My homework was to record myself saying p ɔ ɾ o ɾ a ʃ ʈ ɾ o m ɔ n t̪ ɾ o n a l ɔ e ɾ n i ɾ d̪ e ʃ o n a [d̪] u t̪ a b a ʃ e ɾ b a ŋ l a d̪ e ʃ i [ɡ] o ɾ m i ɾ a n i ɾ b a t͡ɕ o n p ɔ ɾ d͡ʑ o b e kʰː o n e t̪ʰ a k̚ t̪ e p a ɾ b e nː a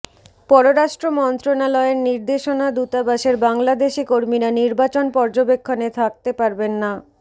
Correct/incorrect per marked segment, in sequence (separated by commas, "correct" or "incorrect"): correct, incorrect